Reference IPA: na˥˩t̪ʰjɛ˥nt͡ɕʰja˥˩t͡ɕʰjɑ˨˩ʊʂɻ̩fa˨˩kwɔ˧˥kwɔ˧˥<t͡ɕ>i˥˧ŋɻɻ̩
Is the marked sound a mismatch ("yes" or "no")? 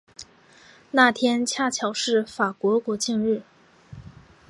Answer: no